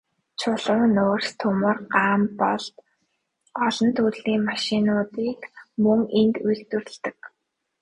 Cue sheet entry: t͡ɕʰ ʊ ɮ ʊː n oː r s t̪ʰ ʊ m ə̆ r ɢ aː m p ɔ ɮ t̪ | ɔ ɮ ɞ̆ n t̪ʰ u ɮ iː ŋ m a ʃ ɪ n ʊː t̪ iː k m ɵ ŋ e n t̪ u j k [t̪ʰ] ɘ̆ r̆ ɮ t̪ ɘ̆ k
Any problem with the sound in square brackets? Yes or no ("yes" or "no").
yes